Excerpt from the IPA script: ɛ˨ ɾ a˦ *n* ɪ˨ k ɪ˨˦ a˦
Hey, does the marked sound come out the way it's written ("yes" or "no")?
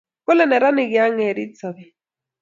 yes